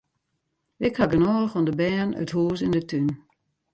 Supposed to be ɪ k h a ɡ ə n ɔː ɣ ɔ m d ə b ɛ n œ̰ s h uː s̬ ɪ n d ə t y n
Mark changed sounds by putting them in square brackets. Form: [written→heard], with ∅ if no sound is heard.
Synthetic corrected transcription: ɪ k h a ɡ ə n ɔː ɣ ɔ [m→n] d ə b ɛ n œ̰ [s→t] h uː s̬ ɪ n d ə t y n